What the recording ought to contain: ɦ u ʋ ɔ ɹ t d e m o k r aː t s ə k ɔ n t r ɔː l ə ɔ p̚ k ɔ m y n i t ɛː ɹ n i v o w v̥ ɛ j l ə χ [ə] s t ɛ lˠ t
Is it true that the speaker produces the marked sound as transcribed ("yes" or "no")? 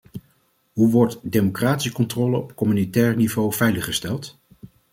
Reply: yes